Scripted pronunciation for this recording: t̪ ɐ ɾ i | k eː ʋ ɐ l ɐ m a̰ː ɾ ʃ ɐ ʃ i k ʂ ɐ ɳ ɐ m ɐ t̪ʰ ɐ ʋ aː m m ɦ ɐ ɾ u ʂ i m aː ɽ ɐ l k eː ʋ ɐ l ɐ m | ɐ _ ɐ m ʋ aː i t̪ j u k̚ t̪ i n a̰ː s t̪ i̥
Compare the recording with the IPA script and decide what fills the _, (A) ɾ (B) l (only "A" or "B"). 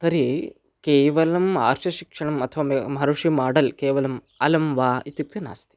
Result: B